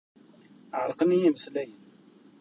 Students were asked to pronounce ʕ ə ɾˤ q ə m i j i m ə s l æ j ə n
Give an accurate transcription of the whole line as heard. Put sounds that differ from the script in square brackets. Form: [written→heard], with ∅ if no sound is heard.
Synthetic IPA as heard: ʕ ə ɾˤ q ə [m→n] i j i m ə s l æ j ə n